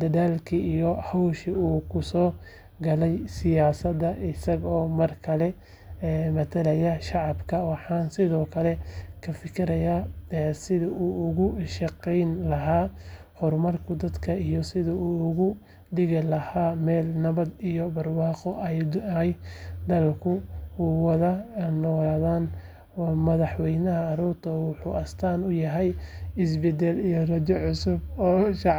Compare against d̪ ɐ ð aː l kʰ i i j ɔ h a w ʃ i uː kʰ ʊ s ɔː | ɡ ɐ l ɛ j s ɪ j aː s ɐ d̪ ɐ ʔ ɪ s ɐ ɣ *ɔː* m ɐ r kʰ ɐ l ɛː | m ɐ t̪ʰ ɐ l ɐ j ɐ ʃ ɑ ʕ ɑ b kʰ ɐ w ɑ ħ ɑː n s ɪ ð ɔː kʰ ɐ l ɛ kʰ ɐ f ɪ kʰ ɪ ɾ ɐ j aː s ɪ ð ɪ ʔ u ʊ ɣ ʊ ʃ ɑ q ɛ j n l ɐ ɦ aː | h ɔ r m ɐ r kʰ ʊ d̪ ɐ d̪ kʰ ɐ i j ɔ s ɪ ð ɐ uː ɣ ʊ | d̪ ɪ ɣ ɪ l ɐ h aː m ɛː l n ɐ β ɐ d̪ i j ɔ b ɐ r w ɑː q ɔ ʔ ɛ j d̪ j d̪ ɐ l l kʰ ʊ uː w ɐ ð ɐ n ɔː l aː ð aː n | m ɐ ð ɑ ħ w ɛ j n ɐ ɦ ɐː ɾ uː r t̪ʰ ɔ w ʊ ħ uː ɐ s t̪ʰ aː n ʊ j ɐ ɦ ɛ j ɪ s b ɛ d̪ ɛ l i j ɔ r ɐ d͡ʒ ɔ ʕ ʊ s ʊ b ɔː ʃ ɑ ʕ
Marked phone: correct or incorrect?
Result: correct